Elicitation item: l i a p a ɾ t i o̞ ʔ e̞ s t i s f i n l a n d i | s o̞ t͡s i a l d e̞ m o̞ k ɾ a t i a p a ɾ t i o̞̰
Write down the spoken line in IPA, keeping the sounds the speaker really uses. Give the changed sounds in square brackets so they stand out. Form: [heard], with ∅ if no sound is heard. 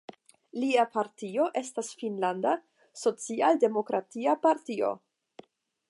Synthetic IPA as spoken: l i a p a ɾ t i o̞ ʔ e̞ s t [a] s f i n l a n d [a] | s o̞ t͡s i a l d e̞ m o̞ k ɾ a t i a p a ɾ t i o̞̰